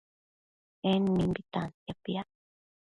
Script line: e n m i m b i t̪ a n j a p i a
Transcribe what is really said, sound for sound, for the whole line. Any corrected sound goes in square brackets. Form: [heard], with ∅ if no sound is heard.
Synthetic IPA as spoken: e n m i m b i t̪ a n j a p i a